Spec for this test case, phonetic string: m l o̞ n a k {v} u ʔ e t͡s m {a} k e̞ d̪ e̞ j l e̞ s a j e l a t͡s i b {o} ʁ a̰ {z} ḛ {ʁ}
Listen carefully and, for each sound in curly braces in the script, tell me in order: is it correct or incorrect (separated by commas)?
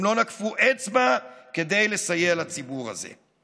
incorrect, correct, incorrect, correct, incorrect